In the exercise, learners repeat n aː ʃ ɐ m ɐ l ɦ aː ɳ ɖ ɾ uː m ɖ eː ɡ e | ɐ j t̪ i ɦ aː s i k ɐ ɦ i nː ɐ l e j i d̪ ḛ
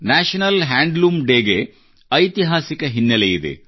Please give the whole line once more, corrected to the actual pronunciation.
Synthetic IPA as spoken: n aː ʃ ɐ n ɐ l ɦ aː ɳ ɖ l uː m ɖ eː ɡ e | ɐ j t̪ i ɦ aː s i k ɐ ɦ i nː ɐ l e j i d̪ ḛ